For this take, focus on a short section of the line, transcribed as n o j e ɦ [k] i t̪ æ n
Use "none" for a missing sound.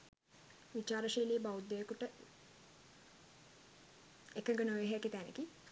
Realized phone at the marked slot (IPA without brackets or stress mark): k